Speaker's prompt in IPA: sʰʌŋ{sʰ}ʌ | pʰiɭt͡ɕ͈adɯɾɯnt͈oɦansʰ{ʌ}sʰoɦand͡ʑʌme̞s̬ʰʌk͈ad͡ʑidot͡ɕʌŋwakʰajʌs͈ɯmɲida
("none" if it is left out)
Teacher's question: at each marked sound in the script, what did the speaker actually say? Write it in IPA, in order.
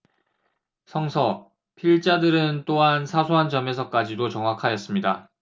sʰ, a

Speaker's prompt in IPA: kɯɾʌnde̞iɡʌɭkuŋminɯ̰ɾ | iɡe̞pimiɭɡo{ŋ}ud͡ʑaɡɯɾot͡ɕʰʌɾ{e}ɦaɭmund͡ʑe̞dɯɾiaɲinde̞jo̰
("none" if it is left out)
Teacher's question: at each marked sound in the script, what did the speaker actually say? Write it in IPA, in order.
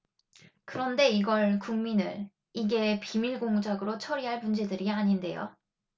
ŋ, i

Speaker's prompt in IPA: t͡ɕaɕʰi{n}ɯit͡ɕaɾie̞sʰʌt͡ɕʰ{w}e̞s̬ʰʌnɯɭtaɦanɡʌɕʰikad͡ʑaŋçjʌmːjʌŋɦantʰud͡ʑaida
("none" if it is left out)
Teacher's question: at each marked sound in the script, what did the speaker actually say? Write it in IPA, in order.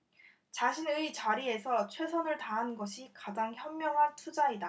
n, w

